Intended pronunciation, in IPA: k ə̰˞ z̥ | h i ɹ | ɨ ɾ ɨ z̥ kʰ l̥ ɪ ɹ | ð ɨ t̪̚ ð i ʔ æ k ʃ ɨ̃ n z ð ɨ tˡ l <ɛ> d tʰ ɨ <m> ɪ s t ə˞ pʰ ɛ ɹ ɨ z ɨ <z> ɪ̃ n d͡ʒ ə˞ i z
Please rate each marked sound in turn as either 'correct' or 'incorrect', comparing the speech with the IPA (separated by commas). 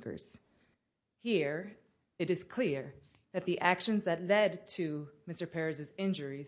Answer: correct, correct, correct